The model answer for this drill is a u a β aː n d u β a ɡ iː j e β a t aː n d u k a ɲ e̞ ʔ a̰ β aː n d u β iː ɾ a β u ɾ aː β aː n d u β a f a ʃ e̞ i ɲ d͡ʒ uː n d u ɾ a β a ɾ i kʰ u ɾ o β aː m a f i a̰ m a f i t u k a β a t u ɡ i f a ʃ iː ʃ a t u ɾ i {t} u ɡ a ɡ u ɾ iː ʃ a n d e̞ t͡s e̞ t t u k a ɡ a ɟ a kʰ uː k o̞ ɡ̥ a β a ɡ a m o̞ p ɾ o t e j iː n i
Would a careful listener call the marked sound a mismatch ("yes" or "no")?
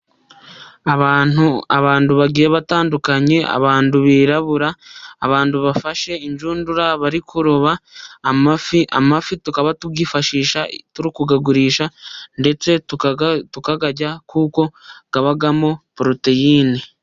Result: yes